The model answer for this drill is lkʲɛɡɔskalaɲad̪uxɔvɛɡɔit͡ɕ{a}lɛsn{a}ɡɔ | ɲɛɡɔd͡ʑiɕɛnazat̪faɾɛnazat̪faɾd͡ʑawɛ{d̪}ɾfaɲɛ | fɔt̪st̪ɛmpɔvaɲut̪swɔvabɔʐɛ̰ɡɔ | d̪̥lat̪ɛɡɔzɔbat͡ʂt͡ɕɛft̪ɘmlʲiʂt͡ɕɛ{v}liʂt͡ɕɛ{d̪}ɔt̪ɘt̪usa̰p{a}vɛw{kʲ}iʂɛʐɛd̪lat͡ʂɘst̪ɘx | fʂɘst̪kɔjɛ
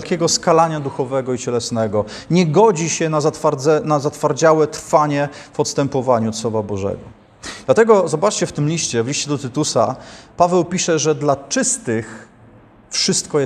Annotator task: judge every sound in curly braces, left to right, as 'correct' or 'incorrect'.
incorrect: ɛ, incorrect: ɛ, incorrect: t̪, correct, correct, correct, incorrect: pʲ

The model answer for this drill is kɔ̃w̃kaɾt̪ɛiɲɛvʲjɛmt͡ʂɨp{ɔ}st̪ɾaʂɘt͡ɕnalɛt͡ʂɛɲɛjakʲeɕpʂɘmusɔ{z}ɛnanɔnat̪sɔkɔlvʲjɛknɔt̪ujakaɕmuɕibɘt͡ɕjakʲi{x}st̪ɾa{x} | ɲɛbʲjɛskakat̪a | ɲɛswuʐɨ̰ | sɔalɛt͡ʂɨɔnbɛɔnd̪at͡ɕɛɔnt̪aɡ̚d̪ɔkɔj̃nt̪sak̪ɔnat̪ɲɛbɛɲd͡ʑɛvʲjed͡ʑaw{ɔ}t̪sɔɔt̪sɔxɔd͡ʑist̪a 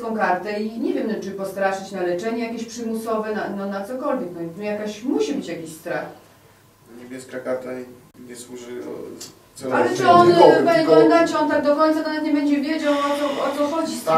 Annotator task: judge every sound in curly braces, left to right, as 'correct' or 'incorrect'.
correct, incorrect: v, incorrect: ɕ, correct, correct

